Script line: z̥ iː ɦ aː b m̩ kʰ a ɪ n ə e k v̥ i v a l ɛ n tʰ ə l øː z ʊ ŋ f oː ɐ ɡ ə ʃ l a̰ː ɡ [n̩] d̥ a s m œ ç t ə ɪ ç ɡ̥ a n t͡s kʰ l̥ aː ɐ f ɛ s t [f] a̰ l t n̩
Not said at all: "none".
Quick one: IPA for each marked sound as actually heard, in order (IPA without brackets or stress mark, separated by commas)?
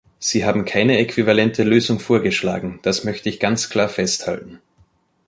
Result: ŋ̩, h